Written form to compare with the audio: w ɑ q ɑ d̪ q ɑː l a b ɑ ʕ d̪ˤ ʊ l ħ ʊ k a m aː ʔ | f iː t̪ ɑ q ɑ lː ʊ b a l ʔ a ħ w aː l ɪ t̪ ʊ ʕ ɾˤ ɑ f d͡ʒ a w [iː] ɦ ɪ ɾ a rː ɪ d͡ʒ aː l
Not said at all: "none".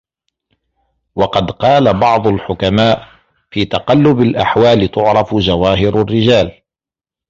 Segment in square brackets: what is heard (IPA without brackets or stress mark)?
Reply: aː